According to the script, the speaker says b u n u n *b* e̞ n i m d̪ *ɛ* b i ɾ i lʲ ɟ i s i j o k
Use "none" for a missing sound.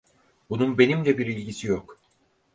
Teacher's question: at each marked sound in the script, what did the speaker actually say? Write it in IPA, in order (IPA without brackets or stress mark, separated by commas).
b, ɛ